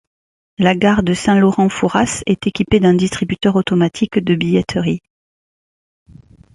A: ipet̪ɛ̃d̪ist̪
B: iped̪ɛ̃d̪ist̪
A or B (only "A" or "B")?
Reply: B